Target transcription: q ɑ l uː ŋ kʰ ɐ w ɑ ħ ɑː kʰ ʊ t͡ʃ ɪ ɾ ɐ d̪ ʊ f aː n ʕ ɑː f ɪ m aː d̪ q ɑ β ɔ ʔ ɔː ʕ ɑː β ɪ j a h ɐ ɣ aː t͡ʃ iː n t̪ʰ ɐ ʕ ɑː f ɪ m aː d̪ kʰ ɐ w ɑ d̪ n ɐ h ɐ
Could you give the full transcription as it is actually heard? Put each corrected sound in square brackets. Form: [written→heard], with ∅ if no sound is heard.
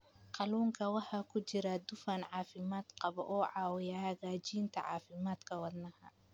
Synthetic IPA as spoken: q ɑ l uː ŋ kʰ ɐ w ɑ ħ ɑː kʰ ʊ t͡ʃ ɪ ɾ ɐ d̪ ʊ f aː n ʕ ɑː f ɪ m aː d̪ q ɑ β ɔ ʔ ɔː ʕ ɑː [β→w] ɪ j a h ɐ ɣ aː t͡ʃ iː n t̪ʰ ɐ ʕ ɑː f ɪ m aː d̪ kʰ ɐ w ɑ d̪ n ɐ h ɐ